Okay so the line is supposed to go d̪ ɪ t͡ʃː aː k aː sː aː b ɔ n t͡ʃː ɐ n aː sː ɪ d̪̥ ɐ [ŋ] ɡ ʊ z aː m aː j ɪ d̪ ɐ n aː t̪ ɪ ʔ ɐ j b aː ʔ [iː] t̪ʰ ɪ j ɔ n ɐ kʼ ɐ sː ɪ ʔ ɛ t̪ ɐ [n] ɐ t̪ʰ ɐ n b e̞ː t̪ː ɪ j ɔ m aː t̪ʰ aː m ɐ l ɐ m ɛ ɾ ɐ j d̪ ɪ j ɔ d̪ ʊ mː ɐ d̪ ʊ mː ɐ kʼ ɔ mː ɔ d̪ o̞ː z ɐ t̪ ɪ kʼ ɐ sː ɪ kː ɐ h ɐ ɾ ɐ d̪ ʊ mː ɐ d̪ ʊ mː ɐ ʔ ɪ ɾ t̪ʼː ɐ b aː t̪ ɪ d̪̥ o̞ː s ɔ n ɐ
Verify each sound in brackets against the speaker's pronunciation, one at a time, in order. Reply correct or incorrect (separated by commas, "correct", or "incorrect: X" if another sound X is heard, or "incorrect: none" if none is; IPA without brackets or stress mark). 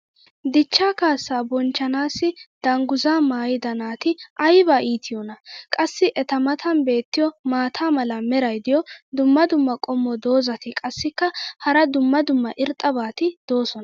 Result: correct, correct, incorrect: m